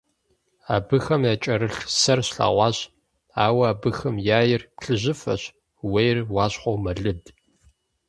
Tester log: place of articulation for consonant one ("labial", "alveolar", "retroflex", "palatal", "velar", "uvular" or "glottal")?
labial